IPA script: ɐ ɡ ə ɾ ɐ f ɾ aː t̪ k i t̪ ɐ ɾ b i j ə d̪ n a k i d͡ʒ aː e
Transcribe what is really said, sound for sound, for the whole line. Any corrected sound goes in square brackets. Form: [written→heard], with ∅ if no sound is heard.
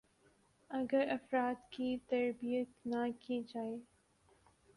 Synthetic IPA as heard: ɐ ɡ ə ɾ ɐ f ɾ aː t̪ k i t̪ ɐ ɾ b i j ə [d̪→t̪] n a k i d͡ʒ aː e